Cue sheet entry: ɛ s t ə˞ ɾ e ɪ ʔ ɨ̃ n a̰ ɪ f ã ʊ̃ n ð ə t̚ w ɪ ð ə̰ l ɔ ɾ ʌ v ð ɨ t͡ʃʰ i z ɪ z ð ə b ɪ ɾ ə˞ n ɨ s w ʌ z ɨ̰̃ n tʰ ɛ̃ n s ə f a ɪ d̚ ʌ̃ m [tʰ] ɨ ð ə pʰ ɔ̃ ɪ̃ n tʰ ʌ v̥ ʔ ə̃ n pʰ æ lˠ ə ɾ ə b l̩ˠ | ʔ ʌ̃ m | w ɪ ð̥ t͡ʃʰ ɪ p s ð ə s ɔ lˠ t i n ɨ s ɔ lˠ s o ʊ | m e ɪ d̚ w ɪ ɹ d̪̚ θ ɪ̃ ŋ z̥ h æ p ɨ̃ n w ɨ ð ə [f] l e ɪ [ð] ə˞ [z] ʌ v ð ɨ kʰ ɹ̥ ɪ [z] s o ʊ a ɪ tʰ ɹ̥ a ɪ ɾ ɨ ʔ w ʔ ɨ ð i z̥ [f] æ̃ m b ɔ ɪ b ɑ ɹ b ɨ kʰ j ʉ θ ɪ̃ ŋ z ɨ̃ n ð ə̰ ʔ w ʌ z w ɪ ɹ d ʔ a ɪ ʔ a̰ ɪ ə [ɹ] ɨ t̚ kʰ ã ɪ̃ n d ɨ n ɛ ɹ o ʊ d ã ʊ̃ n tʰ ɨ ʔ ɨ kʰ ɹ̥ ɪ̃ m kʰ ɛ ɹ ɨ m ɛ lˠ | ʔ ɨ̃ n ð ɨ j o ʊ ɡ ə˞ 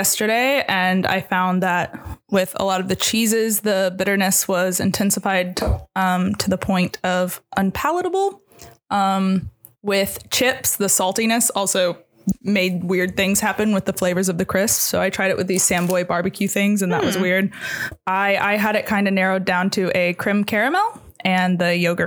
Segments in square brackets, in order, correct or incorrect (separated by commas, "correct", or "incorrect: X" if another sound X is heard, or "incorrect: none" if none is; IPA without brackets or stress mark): correct, correct, incorrect: v, correct, incorrect: s, incorrect: s, incorrect: ɾ